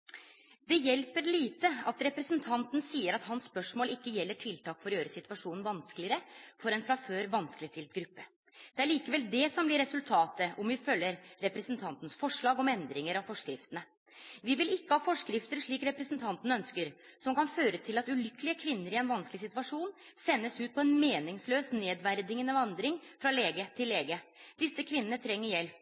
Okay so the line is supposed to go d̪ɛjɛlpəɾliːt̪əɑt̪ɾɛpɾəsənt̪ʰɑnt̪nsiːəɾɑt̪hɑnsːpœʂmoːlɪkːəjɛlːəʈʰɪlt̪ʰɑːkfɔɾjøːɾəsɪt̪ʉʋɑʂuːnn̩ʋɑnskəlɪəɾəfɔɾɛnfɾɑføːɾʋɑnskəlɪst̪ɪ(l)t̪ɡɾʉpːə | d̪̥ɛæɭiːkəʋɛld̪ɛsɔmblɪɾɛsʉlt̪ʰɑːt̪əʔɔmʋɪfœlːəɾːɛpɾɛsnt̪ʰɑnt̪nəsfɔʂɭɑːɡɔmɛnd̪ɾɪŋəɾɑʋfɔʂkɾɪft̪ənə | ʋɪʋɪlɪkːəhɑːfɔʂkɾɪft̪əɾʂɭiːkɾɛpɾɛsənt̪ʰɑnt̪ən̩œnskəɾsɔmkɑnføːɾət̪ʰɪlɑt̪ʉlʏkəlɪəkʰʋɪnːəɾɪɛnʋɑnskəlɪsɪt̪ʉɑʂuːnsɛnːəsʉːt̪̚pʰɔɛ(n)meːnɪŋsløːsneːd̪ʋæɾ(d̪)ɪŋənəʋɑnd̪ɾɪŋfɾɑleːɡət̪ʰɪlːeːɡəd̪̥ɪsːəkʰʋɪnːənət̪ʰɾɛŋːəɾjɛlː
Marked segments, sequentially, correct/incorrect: correct, correct, correct

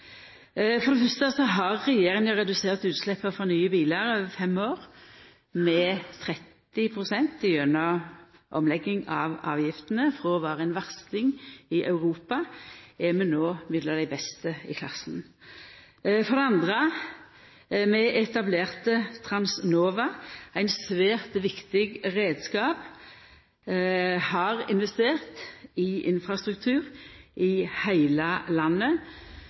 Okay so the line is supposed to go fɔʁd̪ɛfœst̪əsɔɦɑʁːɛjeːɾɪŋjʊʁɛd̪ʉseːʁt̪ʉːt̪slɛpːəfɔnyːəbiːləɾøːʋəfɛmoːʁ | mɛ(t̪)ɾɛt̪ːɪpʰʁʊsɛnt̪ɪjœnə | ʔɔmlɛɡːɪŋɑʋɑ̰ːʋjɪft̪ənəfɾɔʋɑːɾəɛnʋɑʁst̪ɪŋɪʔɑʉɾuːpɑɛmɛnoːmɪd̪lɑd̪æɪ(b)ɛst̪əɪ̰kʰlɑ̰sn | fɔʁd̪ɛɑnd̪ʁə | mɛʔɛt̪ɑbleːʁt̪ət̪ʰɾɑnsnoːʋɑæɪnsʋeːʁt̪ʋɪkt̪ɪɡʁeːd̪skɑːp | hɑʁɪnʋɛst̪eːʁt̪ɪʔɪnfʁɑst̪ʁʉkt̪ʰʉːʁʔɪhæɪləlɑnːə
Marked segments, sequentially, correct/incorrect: incorrect, correct

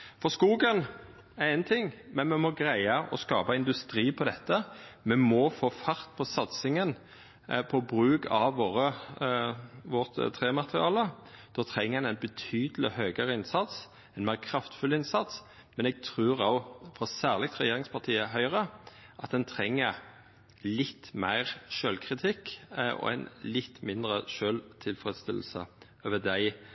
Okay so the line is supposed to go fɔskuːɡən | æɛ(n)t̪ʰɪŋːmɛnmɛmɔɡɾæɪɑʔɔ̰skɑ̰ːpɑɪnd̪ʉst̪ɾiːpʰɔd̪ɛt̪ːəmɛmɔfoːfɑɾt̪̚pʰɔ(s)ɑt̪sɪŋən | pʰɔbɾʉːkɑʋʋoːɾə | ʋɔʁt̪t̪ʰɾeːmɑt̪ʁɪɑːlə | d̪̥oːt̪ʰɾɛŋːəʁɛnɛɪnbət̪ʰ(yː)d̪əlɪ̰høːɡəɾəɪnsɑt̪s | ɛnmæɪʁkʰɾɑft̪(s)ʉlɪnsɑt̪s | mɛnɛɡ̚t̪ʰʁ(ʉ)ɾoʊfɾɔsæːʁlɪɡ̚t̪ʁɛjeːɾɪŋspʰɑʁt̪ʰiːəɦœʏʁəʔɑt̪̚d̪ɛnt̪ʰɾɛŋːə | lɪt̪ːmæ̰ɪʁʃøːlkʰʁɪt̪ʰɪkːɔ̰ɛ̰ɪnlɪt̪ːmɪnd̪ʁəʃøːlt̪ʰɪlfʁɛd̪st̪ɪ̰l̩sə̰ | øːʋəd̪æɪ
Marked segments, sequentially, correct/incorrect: correct, correct, correct, incorrect, incorrect

